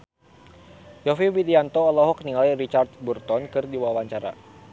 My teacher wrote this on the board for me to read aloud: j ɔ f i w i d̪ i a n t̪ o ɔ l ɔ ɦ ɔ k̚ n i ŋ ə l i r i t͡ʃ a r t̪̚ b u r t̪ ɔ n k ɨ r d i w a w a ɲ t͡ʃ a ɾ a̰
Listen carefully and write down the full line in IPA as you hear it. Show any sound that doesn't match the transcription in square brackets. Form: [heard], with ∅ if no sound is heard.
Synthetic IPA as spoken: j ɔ f i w i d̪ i a n t̪ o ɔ l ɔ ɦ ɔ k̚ n i ŋ [a] l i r i t͡ʃ a r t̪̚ b u r t̪ ɔ n k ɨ r d i w a w a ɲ t͡ʃ a ɾ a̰